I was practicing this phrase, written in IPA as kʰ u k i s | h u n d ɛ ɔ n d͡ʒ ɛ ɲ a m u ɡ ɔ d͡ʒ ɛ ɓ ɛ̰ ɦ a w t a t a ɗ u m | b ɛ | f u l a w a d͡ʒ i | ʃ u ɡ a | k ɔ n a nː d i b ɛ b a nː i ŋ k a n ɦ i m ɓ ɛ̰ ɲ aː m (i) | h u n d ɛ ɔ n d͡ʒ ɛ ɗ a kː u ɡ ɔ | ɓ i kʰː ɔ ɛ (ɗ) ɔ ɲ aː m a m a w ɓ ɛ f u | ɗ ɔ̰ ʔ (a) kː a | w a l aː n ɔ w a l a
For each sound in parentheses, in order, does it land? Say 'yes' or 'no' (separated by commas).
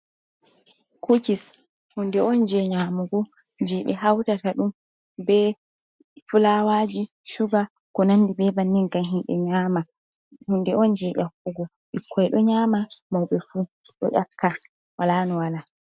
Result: no, yes, yes